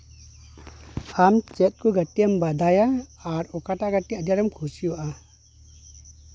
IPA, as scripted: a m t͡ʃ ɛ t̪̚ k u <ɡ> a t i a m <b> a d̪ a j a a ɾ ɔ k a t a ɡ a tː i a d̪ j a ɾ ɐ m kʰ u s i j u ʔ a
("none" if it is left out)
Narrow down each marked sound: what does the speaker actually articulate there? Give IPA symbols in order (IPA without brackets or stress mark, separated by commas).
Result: ɡ, b